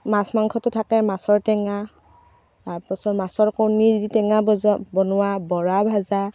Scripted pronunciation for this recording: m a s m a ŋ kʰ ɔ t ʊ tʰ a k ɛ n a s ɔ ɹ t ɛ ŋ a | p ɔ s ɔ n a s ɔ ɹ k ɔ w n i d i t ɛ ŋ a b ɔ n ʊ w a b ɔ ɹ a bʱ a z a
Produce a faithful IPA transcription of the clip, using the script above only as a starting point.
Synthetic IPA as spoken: m a s m a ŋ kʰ ɔ t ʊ tʰ a k ɛ m a s ɔ ɹ t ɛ ŋ a | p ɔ s ɔ m a s ɔ ɹ k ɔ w n i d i t ɛ ŋ a b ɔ n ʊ w a b ɔ ɹ a bʱ a z a